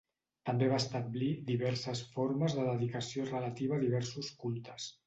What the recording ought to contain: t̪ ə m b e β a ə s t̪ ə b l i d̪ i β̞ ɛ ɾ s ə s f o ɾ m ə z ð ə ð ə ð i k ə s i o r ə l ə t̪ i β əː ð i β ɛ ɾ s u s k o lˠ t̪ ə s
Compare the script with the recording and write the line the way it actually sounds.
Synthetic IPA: t̪ ə m b e β a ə s t̪ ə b l i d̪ i β̞ ɛ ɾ s ə s f o ɾ m ə z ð ə ð ə ð i k ə s i o r ə l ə t̪ i β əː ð i β ɛ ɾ s u s k u lˠ t̪ ə s

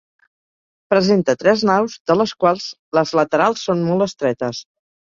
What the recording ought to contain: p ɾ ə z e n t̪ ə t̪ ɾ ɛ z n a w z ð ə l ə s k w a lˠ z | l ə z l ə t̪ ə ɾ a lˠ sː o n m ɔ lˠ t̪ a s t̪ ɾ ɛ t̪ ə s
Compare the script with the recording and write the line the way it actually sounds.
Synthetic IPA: p ɾ ə z e n t̪ ə t̪ ɾ ɛ z n a w z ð ə l ə s k w a lˠ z | l ə z l ə t̪ ə ɾ a lˠ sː o n m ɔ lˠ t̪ ə s t̪ ɾ ɛ t̪ ə s

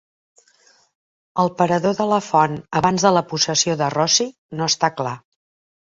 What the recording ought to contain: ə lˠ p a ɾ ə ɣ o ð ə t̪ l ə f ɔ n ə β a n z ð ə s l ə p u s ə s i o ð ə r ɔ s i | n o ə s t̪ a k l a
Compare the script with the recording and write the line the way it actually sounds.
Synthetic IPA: ə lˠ p ə ɾ ə ð o ð ə l ə f ɔ n ə β a n z ð ə l ə p u s ə s i o ð ə r ɔ s i | n o ə s t̪ a k l a

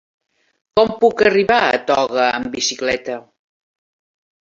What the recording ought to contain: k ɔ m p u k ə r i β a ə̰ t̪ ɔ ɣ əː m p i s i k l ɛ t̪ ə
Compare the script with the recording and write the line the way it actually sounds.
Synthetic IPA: k ɔ m p u k ə r i β a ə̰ t̪ ɔ ɣ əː m b i s i k l ɛ t̪ ə

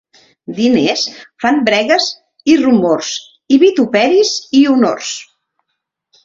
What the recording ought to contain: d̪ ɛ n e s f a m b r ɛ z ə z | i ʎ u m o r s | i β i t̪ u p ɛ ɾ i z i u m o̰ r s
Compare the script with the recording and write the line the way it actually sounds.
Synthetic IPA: d̪ i n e s f a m b ɾ ɛ ɣ ə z | i r u m o r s | i β i t̪ u p ɛ ɾ i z i u n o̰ r s

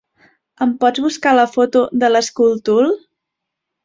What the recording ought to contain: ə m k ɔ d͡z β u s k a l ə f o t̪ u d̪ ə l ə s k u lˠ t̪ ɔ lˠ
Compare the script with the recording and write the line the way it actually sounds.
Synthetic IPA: ə m p ɔ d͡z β u s k a l ə f o t̪ u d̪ ə l ə s k u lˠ t̪ u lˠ

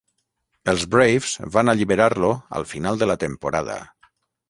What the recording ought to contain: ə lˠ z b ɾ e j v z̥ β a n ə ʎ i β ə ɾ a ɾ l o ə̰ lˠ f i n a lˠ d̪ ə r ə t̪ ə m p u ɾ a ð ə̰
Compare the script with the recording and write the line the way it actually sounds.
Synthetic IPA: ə lˠ z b ɾ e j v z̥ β a n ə ʎ i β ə ɾ a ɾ l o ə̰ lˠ f i n a lˠ d̪ ə l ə t̪ ə m p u ɾ a ð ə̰

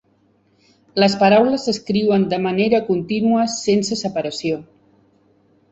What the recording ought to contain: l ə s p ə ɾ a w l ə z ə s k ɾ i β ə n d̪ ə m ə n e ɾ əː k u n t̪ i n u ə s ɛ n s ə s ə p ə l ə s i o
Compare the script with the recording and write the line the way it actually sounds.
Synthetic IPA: l ə s p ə ɾ a w l ə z ə s k ɾ i w ə n d̪ ə m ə n e ɾ ə k u n t̪ i n u ə s e n s ə s ə p ə ɾ ə s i o

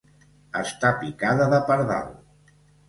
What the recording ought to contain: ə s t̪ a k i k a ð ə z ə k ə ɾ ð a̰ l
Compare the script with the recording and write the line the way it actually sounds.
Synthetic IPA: ə s t̪ a p i k a ð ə ð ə p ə ɾ ð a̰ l

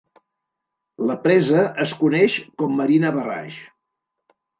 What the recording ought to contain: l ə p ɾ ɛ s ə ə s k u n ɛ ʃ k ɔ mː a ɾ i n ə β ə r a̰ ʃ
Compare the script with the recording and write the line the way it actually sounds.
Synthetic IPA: l ə p ɾ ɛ z ə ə s k u n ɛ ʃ k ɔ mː ə ɾ i n ə β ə r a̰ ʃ

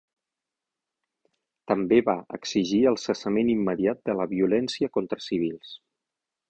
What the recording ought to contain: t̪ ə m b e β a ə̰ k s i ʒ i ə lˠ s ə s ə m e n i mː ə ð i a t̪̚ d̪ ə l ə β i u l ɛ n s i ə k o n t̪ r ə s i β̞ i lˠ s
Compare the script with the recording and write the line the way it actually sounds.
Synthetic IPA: t̪ ə m b e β a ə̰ k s i ʒ i ə lˠ s ə s ə m e n i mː ə ð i a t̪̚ d̪ ə l ə β i u l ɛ n s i ə k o n t̪ ɾ ə s i β̞ i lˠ s

